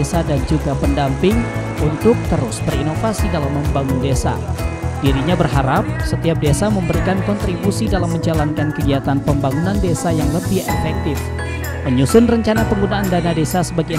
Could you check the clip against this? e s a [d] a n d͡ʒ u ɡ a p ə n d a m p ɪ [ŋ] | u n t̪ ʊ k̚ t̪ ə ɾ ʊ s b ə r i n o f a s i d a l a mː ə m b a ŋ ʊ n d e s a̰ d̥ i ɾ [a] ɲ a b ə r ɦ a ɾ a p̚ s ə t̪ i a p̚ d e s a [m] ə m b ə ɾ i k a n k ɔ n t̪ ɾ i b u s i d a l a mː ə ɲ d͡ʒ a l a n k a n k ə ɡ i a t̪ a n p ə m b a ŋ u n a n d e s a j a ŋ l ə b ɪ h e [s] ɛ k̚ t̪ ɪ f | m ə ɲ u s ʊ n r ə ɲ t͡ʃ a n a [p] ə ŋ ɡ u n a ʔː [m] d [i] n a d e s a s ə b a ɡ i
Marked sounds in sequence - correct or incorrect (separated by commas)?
correct, correct, incorrect, correct, incorrect, correct, incorrect, incorrect